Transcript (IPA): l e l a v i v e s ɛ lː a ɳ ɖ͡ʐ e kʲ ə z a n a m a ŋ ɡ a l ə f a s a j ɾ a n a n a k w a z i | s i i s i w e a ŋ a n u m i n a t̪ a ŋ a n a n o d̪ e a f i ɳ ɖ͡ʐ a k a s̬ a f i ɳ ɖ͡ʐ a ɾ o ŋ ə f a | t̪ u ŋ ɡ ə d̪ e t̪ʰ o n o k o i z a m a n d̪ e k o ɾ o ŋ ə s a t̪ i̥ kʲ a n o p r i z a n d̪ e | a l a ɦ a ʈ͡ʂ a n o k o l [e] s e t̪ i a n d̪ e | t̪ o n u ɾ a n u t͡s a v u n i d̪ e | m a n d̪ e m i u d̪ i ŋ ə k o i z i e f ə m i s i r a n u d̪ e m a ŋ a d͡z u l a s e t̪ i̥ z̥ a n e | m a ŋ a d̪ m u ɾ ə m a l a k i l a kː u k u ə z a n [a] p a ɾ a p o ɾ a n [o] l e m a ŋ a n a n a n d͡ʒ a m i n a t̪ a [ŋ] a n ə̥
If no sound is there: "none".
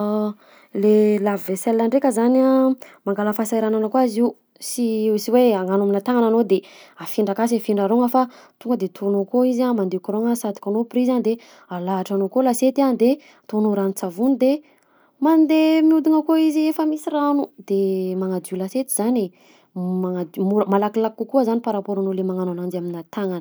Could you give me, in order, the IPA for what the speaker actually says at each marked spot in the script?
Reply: a, i, o, ŋ

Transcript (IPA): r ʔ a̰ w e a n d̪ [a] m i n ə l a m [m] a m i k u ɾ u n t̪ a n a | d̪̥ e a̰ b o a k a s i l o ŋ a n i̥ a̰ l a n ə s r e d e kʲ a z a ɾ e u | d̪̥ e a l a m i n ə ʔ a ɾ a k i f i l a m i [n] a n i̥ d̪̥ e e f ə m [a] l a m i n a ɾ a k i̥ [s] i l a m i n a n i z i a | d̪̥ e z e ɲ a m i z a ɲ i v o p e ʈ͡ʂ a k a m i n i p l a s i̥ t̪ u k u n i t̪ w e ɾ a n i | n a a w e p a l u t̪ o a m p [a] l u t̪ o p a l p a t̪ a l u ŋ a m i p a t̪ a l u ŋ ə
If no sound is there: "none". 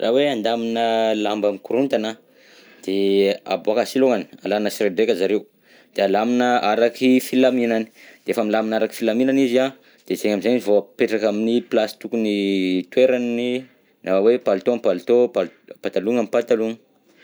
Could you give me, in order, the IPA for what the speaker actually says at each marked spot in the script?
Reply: a, b, n, i, f, a

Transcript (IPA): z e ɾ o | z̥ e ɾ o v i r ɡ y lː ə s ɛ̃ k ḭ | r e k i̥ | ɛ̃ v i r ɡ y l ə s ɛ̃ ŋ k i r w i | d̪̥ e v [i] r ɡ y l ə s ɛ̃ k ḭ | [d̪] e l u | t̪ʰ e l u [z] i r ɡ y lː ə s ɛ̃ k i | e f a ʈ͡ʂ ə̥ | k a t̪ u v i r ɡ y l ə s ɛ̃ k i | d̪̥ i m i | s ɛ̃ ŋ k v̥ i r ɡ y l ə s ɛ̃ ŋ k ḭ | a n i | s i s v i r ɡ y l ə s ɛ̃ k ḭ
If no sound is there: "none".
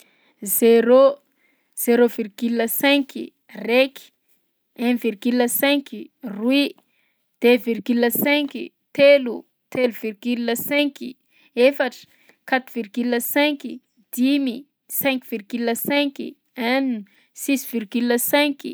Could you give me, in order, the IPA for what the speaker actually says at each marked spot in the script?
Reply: i, t̪, v

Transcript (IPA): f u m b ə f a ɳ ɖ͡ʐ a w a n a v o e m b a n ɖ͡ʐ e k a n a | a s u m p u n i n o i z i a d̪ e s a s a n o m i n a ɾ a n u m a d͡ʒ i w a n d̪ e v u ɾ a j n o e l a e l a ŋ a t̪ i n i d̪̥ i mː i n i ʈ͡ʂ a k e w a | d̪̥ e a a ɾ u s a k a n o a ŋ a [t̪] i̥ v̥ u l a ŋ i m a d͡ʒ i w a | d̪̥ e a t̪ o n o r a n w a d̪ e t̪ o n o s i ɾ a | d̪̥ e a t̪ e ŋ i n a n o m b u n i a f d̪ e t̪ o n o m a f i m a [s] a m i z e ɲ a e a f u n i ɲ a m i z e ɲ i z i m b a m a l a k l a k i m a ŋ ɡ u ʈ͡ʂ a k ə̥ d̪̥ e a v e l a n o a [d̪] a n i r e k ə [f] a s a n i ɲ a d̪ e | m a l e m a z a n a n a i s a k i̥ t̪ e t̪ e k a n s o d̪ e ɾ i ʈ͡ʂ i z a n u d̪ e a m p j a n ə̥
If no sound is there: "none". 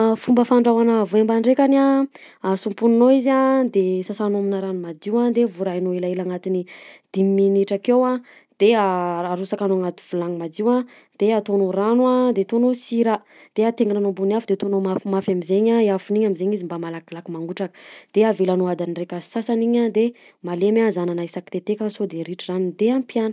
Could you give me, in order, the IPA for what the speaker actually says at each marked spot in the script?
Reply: t̪, f, d̪, s

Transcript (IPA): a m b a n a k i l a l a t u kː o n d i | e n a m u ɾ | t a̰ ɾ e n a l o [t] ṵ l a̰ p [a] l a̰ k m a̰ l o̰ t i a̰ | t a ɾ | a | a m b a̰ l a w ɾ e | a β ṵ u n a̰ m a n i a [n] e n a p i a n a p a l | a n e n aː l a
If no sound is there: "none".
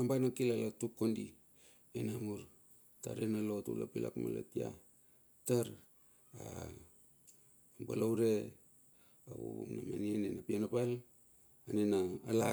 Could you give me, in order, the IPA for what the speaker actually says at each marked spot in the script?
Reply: t, i, n

